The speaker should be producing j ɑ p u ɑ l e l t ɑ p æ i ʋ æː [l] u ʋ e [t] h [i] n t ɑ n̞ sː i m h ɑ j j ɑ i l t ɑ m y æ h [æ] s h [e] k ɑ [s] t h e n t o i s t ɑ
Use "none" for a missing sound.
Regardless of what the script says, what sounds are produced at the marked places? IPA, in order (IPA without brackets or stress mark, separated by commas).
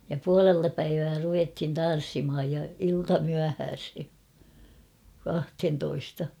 r, t, i, æː, e, h